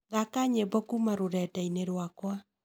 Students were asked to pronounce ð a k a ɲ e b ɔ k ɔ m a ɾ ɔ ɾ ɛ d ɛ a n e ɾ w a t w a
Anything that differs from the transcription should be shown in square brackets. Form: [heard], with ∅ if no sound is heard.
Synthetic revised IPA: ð a k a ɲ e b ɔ k [u] m a ɾ [o] ɾ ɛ [t] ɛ [i] n e ɾ w a [k] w a